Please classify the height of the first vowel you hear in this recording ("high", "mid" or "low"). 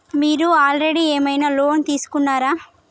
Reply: high